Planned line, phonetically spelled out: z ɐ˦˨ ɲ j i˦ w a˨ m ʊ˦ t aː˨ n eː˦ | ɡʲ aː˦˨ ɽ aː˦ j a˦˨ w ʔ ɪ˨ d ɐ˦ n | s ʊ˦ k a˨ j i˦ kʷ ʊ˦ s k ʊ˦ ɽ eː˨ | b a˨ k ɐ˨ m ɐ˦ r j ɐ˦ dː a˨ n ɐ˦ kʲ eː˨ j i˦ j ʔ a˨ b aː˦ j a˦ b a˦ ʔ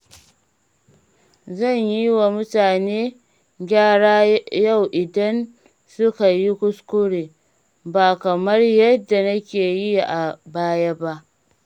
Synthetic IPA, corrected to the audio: z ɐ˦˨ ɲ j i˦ w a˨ m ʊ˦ t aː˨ n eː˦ | ɡʲ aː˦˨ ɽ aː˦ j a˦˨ w ʔ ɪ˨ d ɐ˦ n | s ʊ˦ k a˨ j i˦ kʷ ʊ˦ s k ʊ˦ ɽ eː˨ | b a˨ k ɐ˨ m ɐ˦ r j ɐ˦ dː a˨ n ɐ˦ kʲ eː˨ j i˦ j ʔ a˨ b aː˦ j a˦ b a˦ ʔ